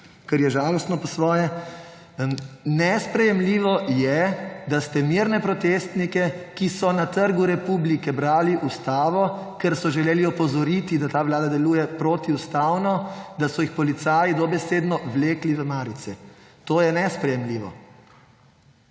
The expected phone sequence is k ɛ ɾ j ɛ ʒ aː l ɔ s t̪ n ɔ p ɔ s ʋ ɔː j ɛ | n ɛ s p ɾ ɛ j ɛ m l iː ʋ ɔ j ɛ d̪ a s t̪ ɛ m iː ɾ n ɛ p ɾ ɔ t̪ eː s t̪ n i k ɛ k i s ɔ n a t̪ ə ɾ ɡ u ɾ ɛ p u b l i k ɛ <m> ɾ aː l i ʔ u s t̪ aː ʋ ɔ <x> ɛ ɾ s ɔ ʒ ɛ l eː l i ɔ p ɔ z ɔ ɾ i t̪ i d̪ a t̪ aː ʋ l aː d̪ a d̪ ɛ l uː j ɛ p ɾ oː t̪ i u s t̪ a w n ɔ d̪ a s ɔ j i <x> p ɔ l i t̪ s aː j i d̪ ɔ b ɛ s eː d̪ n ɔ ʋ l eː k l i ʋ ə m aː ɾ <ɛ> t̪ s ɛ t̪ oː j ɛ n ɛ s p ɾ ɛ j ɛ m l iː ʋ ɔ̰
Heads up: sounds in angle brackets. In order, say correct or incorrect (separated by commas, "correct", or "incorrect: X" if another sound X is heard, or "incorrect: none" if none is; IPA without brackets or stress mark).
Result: incorrect: b, incorrect: k, correct, incorrect: i